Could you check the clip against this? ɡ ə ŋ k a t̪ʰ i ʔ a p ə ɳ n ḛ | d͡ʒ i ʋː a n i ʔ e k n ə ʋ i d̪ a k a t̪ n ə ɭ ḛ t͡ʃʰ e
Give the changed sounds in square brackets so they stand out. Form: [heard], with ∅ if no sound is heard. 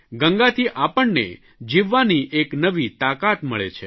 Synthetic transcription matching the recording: ɡ ə ŋ [ɡ] a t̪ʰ i ʔ a p ə ɳ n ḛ | d͡ʒ i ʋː a n i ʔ e k n ə ʋ i [t̪] a k a t̪ [m] ə ɭ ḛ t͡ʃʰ e